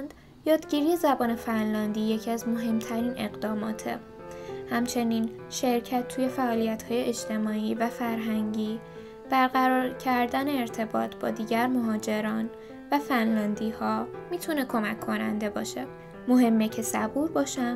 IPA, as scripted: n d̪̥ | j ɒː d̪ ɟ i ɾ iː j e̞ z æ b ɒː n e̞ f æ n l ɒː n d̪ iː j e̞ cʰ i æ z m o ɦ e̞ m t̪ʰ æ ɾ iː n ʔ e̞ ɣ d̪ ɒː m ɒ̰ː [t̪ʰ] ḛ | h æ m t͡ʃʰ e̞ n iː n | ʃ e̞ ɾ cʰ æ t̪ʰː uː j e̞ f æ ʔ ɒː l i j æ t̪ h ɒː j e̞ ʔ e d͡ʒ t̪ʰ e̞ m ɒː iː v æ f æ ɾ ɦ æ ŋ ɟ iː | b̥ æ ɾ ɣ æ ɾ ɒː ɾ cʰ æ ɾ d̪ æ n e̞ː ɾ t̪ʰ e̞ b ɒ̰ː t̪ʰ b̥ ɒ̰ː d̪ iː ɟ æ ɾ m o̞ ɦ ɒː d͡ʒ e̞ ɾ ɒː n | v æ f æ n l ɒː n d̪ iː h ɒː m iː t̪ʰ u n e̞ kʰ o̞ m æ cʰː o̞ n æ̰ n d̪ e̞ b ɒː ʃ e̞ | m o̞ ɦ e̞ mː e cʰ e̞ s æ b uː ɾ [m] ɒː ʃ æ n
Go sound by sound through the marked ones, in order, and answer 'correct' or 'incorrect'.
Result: correct, incorrect

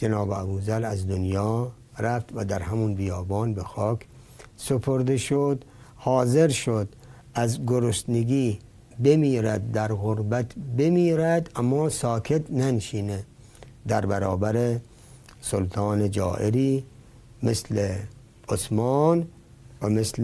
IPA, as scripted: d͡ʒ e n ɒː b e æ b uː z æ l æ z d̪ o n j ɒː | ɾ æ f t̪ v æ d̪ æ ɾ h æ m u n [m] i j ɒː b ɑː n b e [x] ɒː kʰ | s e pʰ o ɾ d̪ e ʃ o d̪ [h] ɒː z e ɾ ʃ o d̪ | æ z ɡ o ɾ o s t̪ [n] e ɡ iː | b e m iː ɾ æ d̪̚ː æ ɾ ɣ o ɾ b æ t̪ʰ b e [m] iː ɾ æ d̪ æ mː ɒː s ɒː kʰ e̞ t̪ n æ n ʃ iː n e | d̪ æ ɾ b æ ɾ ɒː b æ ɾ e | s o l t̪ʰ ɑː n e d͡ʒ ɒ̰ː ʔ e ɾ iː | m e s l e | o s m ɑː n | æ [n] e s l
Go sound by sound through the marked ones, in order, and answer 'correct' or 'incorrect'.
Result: incorrect, correct, correct, correct, correct, incorrect

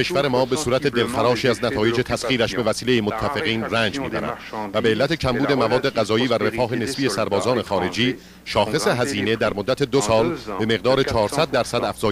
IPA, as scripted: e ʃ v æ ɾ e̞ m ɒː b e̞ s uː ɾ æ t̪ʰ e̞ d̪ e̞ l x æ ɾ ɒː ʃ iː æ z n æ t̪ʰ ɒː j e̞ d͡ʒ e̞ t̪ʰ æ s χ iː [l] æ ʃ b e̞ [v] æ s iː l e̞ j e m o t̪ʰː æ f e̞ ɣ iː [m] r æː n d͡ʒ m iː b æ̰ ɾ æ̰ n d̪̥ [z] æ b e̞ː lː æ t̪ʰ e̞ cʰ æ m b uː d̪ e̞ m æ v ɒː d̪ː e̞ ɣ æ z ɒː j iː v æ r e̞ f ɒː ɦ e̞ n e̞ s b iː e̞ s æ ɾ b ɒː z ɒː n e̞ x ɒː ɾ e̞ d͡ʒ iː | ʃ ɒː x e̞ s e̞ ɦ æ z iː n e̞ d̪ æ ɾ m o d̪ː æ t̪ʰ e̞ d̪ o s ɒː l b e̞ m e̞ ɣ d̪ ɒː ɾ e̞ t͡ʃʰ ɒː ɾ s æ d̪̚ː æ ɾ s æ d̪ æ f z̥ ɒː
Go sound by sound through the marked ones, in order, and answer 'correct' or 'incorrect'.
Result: incorrect, correct, incorrect, incorrect

